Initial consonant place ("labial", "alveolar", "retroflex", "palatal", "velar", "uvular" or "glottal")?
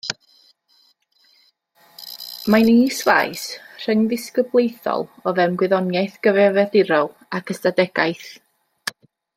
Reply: labial